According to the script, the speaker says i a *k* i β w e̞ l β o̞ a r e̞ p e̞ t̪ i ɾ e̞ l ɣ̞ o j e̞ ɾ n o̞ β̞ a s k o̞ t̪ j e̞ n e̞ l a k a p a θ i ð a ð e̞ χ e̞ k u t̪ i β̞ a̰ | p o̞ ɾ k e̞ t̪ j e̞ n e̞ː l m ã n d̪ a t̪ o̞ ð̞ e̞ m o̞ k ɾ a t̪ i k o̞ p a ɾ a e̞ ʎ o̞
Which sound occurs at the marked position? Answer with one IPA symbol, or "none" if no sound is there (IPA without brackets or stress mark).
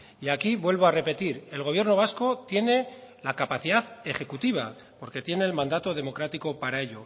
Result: k